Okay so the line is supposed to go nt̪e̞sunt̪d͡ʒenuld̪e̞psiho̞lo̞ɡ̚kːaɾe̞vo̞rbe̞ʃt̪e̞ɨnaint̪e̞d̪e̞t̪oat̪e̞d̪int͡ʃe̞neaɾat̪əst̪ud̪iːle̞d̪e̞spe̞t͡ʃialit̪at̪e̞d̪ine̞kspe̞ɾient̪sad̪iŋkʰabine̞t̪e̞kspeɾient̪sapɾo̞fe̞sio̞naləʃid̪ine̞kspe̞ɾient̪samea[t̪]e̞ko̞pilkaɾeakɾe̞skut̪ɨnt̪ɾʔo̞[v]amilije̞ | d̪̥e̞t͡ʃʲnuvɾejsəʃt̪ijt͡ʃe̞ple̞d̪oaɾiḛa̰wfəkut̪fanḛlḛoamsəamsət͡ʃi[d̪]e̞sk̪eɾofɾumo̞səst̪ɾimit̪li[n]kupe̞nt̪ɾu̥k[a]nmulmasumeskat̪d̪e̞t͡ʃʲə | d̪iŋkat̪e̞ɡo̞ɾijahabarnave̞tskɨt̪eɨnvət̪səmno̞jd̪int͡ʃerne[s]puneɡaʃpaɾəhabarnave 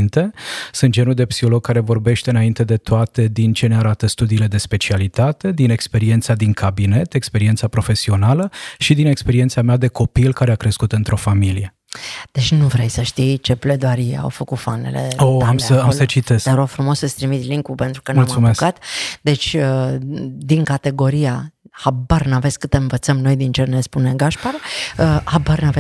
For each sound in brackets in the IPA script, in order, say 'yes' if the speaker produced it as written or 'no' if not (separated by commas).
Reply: no, no, no, no, no, yes